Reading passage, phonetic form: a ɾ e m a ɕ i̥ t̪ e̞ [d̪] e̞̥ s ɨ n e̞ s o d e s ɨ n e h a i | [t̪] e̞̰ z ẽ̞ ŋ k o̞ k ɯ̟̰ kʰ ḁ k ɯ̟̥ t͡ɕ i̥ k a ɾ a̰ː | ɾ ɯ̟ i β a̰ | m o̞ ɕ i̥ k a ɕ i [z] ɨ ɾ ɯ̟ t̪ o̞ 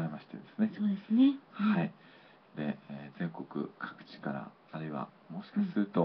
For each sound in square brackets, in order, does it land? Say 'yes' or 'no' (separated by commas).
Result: yes, no, no